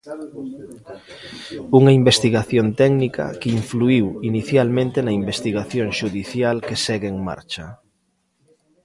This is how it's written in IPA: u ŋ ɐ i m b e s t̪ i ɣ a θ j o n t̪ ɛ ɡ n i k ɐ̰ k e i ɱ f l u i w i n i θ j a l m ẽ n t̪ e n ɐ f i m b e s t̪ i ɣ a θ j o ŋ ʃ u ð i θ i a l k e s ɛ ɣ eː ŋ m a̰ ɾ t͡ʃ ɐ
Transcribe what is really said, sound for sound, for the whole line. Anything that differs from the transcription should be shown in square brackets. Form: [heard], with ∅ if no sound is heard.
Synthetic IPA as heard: u ŋ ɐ i m b e s t̪ i ɣ a θ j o n t̪ ɛ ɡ n i k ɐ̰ k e i ɱ f l u i w i n i θ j a l m ẽ n t̪ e n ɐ [∅] i m b e s t̪ i ɣ a θ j o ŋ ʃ u ð i θ [j] a l k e s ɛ ɣ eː ŋ m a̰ ɾ t͡ʃ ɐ